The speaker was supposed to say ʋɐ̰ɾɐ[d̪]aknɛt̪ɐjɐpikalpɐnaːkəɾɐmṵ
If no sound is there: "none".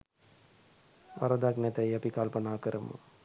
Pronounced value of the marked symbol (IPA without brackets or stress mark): d̪